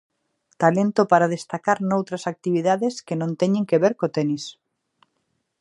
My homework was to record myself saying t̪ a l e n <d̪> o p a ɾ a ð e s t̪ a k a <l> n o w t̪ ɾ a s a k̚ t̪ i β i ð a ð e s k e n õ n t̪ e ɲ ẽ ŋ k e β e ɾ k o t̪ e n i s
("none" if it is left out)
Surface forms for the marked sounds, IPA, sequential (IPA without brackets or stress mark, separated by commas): t̪, ɾ